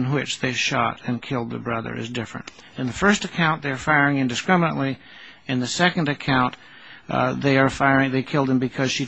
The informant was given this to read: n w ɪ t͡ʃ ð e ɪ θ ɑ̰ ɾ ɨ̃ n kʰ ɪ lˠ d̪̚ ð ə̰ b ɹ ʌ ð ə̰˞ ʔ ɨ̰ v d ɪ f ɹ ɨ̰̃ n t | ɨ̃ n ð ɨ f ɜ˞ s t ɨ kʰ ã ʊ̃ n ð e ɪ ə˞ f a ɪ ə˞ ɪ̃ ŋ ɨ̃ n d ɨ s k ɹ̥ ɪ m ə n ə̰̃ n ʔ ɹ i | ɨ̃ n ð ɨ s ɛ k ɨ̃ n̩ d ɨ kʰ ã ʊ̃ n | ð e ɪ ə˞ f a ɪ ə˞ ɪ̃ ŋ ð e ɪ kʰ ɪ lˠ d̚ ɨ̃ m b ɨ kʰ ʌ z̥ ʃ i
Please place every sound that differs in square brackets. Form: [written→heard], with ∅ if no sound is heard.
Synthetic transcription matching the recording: n w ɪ t͡ʃ ð e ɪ [θ→ʃ] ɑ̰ ɾ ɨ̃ n kʰ ɪ lˠ d̪̚ ð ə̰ b ɹ ʌ ð ə̰˞ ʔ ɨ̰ [v→z] d ɪ f ɹ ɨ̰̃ n t | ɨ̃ n ð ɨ f ɜ˞ s t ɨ kʰ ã ʊ̃ n ð e ɪ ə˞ f a ɪ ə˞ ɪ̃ ŋ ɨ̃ n d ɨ s k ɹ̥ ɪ m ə n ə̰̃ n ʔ [ɹ→l] i | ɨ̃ n ð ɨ s ɛ k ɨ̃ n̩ d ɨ kʰ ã ʊ̃ n | ð e ɪ ə˞ f a ɪ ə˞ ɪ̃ ŋ ð e ɪ kʰ ɪ lˠ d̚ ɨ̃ m b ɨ kʰ ʌ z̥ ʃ i

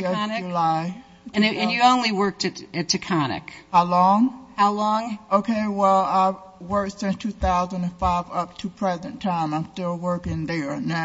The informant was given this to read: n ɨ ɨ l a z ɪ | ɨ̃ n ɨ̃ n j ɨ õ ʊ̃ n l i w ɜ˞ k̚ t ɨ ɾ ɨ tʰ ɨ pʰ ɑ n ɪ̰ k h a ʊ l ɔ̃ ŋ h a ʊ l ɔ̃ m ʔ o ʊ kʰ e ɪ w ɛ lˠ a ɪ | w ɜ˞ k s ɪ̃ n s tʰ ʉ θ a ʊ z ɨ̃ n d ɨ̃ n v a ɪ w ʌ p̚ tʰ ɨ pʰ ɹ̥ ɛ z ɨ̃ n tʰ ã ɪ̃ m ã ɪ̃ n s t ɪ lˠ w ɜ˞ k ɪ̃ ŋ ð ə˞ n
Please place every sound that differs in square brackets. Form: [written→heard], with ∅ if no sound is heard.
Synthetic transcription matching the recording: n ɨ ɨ l a [z→∅] ɪ | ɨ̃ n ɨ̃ n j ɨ õ ʊ̃ n l i w ɜ˞ k̚ t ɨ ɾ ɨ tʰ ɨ [pʰ→kʰ] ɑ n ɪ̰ k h a ʊ l ɔ̃ ŋ h a ʊ l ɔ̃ [m→ŋ] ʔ o ʊ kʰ e ɪ w ɛ lˠ a ɪ | w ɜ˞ k s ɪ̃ n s tʰ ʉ θ a ʊ z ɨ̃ n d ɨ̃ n [v→f] a ɪ [w→v] ʌ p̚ tʰ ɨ pʰ ɹ̥ ɛ z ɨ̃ n tʰ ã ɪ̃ m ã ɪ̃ [n→m] s t ɪ lˠ w ɜ˞ k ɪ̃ ŋ ð ə˞ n

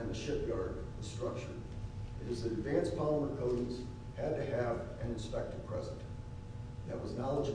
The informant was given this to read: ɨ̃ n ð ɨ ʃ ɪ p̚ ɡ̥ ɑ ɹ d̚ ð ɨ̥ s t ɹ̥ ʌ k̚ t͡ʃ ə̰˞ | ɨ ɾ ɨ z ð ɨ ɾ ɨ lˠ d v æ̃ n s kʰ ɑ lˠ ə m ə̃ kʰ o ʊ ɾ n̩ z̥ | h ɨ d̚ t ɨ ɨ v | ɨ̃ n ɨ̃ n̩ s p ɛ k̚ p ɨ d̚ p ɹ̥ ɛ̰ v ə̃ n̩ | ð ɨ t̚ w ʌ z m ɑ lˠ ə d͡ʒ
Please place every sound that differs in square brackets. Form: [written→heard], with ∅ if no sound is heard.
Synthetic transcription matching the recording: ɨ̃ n ð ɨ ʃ ɪ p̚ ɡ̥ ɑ ɹ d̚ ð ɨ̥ s t ɹ̥ ʌ k̚ t͡ʃ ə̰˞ | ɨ ɾ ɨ z ð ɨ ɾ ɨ [lˠ→∅] d v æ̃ n s [kʰ→pʰ] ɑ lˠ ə m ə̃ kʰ o ʊ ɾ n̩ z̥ | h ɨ d̚ t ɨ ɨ v | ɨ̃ n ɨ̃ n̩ s p ɛ k̚ [p→t] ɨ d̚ [p→pʰ] ɹ̥ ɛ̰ [v→z] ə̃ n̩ | ð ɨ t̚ w ʌ z [m→n] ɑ lˠ ə d͡ʒ

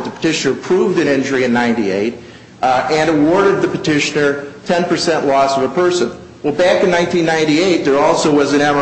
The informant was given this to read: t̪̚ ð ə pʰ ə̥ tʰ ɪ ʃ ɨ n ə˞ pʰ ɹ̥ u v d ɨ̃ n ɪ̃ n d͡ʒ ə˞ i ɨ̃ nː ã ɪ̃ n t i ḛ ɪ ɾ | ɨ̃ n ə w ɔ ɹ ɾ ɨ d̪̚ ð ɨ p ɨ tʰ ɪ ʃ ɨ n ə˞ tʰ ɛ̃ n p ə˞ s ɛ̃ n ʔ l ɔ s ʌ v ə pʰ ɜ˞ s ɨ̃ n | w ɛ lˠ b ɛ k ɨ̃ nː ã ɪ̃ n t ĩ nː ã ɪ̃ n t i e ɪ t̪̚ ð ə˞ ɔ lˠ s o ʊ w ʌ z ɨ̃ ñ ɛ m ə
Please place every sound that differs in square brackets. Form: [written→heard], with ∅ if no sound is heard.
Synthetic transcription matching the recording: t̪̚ ð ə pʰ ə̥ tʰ ɪ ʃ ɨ n ə˞ pʰ ɹ̥ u v d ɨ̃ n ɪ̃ n d͡ʒ ə˞ i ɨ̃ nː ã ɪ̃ n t i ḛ ɪ ɾ | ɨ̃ n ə w ɔ ɹ ɾ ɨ d̪̚ ð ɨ p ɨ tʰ ɪ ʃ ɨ n ə˞ tʰ ɛ̃ n p ə˞ s ɛ̃ n ʔ l ɔ s ʌ v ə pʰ ɜ˞ s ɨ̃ n | w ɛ lˠ b [ɛ→æ] k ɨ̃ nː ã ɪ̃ n t ĩ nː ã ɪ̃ n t i e ɪ t̪̚ ð ə˞ ɔ lˠ s o ʊ w ʌ z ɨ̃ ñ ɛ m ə

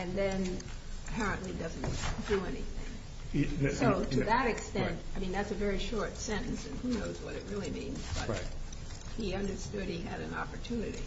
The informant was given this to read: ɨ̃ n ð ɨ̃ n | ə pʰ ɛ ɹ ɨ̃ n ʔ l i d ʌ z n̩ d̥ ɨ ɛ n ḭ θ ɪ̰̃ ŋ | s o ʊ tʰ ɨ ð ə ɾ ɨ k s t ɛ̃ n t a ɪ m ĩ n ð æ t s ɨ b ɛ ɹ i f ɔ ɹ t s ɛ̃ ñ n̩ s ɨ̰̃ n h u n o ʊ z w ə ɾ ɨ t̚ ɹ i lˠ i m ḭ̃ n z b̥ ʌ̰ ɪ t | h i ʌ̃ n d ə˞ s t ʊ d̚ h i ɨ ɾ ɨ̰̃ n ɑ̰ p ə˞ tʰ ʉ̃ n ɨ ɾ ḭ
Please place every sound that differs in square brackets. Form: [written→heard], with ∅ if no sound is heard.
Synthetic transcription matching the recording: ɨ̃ n ð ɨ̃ n | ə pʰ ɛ ɹ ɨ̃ n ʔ l i d ʌ z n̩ d̥ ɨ ɛ n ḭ θ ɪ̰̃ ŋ | s o ʊ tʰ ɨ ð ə ɾ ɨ k s t ɛ̃ n t a ɪ m ĩ n ð æ t s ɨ [b→v] ɛ ɹ i [f→ʃ] ɔ ɹ t s ɛ̃ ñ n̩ s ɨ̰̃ n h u n o ʊ z w [ə→ʌ] ɾ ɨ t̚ ɹ [i→ɪ] lˠ i m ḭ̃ n z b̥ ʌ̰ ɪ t | h i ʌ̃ n d ə˞ s t ʊ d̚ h i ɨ ɾ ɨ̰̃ n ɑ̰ p ə˞ tʰ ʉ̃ n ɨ ɾ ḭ

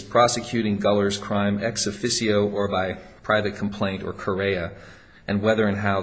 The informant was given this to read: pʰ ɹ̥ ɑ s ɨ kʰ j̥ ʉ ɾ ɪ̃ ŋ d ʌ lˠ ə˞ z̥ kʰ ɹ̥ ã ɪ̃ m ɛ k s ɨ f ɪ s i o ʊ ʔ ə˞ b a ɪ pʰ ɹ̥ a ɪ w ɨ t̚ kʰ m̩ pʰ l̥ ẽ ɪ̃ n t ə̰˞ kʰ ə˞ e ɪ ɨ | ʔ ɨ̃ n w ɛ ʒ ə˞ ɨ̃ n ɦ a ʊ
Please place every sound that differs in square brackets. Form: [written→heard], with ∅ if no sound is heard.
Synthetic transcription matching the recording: pʰ ɹ̥ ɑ s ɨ kʰ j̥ ʉ ɾ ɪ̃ ŋ [d→ɡ] ʌ lˠ ə˞ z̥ kʰ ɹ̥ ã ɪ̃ m ɛ k s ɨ f ɪ s i o ʊ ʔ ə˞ b a ɪ pʰ ɹ̥ a ɪ [w→v] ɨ t̚ kʰ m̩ pʰ l̥ ẽ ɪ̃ n t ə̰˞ kʰ ə˞ e ɪ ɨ | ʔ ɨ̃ n w ɛ [ʒ→ð] ə˞ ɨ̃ n ɦ a ʊ

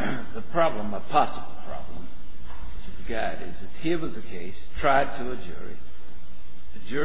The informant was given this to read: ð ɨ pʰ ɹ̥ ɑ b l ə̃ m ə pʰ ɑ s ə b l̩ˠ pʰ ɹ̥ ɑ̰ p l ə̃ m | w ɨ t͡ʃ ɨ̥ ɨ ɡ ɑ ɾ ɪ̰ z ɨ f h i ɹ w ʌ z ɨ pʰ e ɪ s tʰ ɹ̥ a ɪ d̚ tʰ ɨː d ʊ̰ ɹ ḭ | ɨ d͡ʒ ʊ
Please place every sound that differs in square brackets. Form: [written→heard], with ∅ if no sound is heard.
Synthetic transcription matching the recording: ð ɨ pʰ ɹ̥ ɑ b l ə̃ m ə pʰ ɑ s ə b l̩ˠ pʰ ɹ̥ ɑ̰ [p→b] l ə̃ m | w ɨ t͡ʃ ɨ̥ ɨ ɡ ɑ ɾ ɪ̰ z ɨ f h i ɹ w ʌ z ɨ [pʰ→kʰ] e ɪ s tʰ ɹ̥ a ɪ d̚ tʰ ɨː [d→d͡ʒ] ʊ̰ ɹ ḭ | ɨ d͡ʒ ʊ

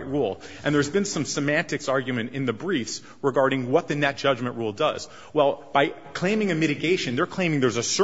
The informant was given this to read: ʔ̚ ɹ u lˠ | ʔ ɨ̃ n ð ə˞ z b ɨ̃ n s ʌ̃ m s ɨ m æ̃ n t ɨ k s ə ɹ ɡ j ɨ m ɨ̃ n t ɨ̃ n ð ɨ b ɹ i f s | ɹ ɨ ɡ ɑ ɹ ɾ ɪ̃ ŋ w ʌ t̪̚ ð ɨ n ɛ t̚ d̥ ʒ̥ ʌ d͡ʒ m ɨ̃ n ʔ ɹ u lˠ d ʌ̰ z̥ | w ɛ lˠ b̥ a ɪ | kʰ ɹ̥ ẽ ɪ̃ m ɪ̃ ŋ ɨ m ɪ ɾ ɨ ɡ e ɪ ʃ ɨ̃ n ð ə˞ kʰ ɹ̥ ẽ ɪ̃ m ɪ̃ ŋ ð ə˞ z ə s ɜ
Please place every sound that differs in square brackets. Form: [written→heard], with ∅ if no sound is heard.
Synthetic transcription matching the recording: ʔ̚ ɹ u lˠ | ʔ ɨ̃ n ð ə˞ z b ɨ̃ n s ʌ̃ m s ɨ m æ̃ n t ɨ k s [ə→ɑ] ɹ ɡ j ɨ m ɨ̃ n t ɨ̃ n ð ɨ b ɹ i f s | ɹ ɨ ɡ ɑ ɹ ɾ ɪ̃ ŋ w ʌ t̪̚ ð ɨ n ɛ t̚ d̥ ʒ̥ ʌ d͡ʒ m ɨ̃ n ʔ ɹ u lˠ d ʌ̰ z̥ | w ɛ lˠ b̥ a ɪ | kʰ [ɹ̥→l̥] ẽ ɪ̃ m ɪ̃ ŋ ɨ m ɪ ɾ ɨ ɡ e ɪ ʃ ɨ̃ n ð ə˞ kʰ [ɹ̥→l̥] ẽ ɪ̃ m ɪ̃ ŋ ð ə˞ z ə s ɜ

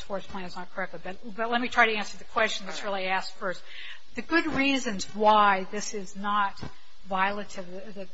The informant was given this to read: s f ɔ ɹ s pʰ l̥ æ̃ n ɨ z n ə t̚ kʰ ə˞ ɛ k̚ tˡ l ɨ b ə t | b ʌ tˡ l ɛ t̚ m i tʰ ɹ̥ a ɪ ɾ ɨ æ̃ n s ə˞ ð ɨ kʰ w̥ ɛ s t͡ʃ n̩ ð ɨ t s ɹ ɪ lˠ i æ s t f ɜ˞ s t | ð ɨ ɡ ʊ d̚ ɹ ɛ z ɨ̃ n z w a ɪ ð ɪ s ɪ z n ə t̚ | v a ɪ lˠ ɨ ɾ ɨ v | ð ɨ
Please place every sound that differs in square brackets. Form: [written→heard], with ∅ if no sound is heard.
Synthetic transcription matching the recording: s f ɔ ɹ s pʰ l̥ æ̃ n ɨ z n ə t̚ kʰ ə˞ ɛ k̚ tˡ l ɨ b [ə→ʌ] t | b ʌ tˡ l ɛ t̚ m i tʰ ɹ̥ a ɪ ɾ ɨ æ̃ n s ə˞ ð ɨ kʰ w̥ ɛ s t͡ʃ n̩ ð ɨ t s ɹ ɪ lˠ i æ s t f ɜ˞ s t | ð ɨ ɡ ʊ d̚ ɹ [ɛ→i] z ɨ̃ n z w a ɪ ð ɪ s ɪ z n ə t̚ | v a ɪ lˠ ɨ ɾ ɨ v | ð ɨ

